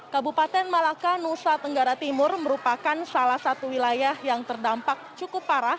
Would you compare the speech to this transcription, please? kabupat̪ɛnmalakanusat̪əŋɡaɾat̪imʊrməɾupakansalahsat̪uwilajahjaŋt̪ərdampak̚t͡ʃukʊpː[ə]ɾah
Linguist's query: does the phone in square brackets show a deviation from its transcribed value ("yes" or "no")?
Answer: yes